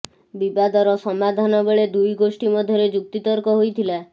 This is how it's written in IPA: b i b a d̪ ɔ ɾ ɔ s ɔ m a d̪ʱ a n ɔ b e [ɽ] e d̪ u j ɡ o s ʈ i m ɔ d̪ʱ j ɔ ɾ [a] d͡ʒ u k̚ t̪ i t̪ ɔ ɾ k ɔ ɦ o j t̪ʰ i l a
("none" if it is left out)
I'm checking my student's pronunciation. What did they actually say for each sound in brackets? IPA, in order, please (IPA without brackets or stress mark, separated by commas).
ɭ, e